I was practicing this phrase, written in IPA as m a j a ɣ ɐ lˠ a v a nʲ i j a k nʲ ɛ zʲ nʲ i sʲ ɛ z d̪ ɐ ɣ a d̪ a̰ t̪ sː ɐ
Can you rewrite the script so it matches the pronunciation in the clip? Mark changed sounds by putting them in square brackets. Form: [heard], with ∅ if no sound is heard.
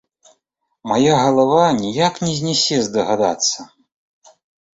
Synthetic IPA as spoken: m a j a ɣ ɐ lˠ a v a nʲ i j a k nʲ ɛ zʲ nʲ [ɛ] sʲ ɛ z d̪ ɐ ɣ a d̪ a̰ t̪ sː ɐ

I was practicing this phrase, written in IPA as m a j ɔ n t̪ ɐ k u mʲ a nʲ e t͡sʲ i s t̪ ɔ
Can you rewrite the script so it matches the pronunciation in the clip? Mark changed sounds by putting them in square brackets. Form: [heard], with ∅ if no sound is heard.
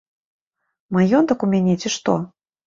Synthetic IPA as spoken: m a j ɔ n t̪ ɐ k u mʲ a nʲ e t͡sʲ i [ʂ] t̪ ɔ

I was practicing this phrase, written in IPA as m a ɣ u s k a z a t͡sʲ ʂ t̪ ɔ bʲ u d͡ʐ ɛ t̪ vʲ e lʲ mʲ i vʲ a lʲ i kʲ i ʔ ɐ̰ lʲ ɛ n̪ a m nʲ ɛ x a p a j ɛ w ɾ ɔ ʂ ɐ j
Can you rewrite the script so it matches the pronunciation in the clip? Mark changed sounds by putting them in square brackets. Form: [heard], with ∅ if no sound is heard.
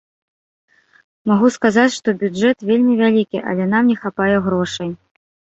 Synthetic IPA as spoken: m a ɣ u s k a z a t͡sʲ ʂ t̪ ɔ bʲ u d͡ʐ ɛ t̪ vʲ e lʲ mʲ i vʲ a lʲ i kʲ i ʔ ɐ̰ lʲ ɛ n̪ a m nʲ ɛ x a p a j ɛ [ɣ] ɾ ɔ ʂ ɐ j

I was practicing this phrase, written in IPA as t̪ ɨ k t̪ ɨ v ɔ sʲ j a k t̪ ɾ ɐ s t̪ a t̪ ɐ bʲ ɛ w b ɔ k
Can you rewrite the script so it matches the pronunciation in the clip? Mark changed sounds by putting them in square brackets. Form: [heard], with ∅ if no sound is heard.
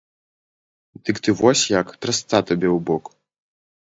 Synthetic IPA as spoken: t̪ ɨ k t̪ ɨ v ɔ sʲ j a k t̪ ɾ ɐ s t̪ a t̪ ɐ bʲ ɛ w b ɔ k

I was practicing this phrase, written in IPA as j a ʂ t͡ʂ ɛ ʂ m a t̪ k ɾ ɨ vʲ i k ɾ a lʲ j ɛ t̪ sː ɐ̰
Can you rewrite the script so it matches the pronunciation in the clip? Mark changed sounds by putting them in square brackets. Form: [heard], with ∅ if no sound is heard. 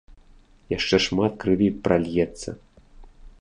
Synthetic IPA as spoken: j a ʂ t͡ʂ ɛ ʂ m a t̪ k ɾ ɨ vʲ i [p] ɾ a lʲ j ɛ t̪ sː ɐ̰

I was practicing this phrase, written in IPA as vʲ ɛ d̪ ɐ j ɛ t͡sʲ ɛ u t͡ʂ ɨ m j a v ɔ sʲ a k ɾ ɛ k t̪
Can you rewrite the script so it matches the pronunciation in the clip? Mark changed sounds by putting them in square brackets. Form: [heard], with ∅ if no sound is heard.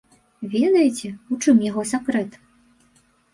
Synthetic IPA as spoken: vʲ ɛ d̪ ɐ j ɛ t͡sʲ ɛ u t͡ʂ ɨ m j a [ɣ] ɔ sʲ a k ɾ ɛ [∅] t̪

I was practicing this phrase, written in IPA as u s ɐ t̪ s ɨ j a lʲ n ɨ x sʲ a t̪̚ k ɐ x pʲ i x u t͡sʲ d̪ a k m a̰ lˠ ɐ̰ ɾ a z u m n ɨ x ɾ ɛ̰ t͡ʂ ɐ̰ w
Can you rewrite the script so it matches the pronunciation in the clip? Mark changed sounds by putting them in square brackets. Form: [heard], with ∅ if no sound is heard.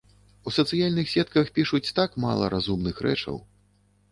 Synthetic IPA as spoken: u s ɐ t̪ s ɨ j a lʲ n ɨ x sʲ [ɛ] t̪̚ k ɐ x pʲ i [ʂ] u t͡sʲ [t̪] a k m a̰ lˠ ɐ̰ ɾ a z u m n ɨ x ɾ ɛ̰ t͡ʂ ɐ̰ w

